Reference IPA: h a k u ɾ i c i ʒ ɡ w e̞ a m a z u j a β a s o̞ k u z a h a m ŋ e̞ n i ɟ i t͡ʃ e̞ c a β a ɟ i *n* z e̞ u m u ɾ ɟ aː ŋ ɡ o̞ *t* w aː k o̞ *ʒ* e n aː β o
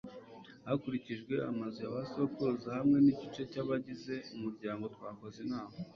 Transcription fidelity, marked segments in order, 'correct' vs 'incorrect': incorrect: none, correct, incorrect: z

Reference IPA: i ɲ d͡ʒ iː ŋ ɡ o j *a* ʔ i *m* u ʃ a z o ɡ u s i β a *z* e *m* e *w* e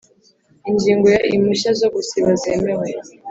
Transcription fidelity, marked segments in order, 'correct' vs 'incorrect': correct, correct, correct, correct, correct

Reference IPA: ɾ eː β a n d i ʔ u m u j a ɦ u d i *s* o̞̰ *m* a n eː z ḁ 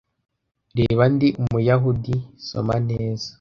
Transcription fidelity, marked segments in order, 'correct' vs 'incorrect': correct, correct

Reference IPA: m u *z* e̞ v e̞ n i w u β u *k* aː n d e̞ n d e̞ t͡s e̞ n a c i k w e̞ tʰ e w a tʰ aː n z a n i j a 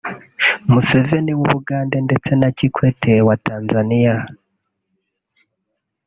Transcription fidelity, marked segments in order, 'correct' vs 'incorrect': incorrect: s, incorrect: ɡ

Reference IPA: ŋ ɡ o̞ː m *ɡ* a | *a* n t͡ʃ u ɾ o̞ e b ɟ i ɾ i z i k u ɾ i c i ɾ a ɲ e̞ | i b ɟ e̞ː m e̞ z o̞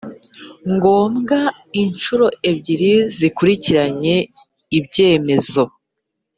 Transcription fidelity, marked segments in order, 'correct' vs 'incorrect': correct, incorrect: i

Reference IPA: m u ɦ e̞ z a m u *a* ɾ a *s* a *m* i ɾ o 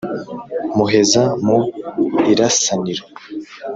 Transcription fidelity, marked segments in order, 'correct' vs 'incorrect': incorrect: i, correct, incorrect: n

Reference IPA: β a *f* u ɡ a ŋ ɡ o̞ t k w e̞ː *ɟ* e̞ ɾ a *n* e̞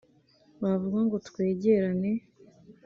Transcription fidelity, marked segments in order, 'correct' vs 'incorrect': incorrect: v, correct, correct

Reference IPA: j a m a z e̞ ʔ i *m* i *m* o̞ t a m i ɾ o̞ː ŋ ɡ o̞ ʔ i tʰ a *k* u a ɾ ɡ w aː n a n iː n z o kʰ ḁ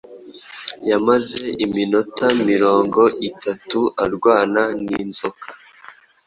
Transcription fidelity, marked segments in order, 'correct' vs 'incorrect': correct, incorrect: n, incorrect: t

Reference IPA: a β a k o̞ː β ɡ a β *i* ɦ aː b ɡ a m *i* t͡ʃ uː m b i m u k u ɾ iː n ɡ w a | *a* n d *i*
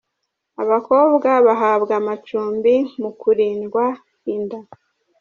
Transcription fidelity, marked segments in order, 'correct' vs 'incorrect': incorrect: a, incorrect: a, incorrect: i, incorrect: a

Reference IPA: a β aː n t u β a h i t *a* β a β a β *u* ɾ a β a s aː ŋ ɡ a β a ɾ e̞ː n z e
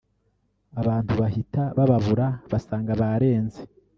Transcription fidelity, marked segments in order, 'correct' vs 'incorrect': correct, correct

